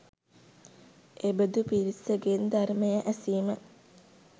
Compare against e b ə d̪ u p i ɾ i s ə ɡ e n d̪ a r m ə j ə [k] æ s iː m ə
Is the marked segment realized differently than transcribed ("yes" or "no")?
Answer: yes